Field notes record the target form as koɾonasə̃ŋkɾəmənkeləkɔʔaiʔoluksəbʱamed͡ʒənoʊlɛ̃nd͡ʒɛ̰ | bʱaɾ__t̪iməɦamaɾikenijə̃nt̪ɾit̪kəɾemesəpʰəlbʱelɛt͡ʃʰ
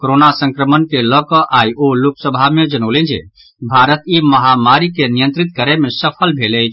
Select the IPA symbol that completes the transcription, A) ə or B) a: A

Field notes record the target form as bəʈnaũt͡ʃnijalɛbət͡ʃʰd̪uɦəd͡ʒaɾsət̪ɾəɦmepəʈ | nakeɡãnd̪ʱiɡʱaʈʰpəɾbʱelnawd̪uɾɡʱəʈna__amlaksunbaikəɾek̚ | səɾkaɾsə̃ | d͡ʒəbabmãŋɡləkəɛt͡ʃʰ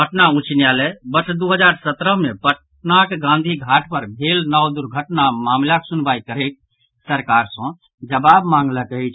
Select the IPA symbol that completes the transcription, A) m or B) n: A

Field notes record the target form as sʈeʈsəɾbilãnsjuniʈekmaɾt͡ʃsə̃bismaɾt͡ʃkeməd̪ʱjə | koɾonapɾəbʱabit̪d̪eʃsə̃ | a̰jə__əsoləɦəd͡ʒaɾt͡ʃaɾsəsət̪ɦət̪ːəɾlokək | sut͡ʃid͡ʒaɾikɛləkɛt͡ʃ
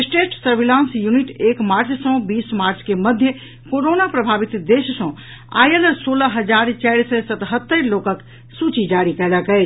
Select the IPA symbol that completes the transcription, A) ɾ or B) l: B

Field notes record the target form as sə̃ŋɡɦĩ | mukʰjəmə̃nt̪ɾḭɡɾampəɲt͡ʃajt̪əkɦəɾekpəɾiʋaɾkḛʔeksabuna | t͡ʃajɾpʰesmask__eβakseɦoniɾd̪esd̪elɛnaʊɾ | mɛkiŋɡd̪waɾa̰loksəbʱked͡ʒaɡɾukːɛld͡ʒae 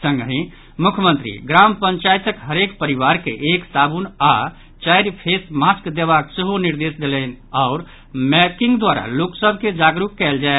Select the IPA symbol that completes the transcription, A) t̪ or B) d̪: B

